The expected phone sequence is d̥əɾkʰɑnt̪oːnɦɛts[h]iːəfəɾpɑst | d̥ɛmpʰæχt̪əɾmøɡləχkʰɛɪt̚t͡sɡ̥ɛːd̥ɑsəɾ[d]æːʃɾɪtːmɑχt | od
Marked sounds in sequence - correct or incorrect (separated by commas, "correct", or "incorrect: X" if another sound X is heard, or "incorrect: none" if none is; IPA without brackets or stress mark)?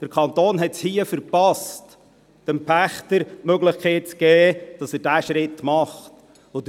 correct, correct